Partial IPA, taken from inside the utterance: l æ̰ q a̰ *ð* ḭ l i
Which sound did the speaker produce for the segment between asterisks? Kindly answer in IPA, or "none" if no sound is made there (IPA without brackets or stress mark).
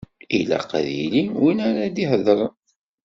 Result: ð